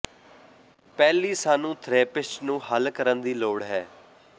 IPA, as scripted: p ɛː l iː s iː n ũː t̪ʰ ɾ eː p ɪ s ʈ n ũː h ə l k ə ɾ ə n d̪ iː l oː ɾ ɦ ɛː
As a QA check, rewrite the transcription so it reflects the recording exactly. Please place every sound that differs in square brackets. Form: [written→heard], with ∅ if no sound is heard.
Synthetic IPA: p ɛː l iː s [iː→aː] n ũː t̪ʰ ɾ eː p ɪ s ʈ n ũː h ə l k ə ɾ ə n d̪ iː l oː [ɾ→ɽ] ɦ ɛː